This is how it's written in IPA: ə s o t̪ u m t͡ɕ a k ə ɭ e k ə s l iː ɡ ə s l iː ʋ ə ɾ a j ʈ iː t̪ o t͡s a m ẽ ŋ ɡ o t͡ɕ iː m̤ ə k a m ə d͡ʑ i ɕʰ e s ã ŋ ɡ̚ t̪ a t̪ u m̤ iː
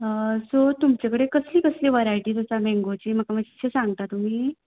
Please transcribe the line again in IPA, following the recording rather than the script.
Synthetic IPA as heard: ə s o t̪ u m t͡ɕ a k ə ɽ e k ə s l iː k ə s l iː ʋ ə ɾ a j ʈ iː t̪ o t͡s a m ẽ ŋ ɡ o t͡ɕ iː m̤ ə k a m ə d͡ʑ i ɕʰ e s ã ŋ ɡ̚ t̪ a t̪ u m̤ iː